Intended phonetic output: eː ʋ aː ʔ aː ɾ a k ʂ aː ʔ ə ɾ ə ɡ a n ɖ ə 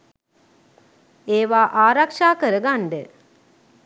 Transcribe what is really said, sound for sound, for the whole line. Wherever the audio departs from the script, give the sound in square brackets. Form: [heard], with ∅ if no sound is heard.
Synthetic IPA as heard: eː ʋ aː ʔ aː ɾ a k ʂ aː [k] ə ɾ ə ɡ a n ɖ ə